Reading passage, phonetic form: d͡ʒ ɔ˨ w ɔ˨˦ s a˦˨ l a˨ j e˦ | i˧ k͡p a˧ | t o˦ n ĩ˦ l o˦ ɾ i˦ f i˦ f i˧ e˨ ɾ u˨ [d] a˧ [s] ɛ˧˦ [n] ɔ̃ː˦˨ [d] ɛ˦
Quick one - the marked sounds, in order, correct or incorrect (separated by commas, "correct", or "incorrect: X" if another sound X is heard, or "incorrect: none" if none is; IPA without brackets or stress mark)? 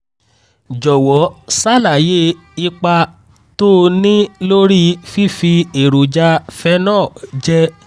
incorrect: d͡ʒ, incorrect: f, correct, incorrect: d͡ʒ